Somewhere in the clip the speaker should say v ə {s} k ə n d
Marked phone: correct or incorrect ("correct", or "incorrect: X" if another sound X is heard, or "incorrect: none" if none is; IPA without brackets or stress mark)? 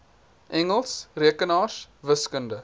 correct